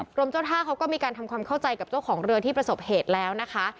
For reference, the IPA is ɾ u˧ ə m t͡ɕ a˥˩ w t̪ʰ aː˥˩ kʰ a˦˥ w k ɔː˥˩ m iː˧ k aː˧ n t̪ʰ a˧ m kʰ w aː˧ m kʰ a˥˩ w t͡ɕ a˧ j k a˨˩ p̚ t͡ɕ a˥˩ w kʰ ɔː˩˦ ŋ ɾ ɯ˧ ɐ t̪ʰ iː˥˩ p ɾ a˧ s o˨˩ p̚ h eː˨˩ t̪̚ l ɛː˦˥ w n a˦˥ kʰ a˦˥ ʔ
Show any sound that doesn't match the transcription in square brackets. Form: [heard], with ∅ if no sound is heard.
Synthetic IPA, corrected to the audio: ɾ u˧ ə m t͡ɕ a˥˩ w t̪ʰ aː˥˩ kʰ a˦˥ w k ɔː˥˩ m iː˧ k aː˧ n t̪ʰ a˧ m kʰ w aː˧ m kʰ a˥˩ w t͡ɕ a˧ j k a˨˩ p̚ t͡ɕ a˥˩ w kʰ ɔː˩˦ ŋ ɾ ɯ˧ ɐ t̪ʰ iː˥˩ p ɾ a˧ s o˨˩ p̚ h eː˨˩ t̪̚ l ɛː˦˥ w n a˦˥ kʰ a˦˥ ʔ